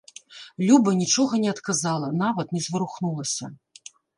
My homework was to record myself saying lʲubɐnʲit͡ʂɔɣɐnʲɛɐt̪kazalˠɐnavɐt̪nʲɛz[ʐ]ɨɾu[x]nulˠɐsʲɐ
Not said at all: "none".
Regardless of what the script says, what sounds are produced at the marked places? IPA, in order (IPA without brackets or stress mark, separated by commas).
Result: v, x